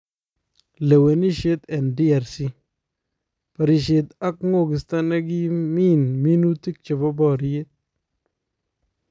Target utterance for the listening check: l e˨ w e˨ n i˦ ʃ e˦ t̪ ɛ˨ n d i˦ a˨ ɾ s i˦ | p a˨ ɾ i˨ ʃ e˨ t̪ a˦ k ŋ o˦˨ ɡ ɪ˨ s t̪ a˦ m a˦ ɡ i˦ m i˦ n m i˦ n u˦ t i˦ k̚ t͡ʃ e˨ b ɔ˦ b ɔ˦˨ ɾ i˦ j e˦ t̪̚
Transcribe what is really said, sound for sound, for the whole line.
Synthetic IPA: l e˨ w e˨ n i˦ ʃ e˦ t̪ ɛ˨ n d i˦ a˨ ɾ s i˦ | p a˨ ɾ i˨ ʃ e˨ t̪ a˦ k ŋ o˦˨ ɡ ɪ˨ s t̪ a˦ n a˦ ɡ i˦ m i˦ n m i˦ n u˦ t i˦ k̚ t͡ʃ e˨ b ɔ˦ b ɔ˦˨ ɾ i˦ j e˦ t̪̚